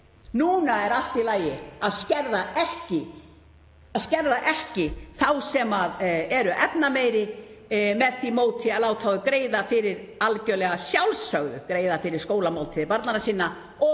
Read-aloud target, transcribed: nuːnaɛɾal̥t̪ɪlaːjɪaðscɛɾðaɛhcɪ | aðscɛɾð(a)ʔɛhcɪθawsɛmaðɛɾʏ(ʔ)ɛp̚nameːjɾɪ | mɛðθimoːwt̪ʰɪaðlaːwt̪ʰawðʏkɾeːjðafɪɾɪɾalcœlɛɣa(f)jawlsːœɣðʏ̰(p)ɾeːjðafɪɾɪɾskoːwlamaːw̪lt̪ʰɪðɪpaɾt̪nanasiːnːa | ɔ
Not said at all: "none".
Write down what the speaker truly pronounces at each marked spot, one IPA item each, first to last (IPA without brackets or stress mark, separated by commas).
a, ʔ, s, k